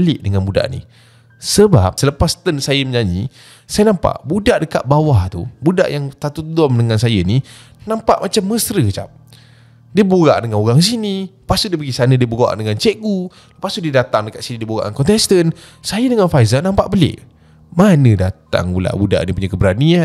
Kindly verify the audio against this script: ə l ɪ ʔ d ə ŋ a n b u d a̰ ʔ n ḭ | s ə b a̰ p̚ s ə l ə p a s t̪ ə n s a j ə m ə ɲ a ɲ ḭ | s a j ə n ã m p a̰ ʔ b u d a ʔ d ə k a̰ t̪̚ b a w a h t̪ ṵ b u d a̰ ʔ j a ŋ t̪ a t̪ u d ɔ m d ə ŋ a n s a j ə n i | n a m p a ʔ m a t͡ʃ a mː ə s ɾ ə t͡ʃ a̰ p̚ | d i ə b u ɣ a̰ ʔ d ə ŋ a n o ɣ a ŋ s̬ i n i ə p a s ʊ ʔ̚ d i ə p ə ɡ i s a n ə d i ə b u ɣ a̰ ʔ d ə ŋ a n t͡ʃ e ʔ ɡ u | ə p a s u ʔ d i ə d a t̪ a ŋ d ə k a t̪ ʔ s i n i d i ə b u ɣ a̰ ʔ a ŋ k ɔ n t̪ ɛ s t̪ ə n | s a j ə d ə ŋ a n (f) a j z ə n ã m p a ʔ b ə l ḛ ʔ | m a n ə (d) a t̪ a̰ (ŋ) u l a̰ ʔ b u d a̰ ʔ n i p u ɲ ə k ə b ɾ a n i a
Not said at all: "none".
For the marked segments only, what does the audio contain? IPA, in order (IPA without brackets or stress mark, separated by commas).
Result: f, d, ŋ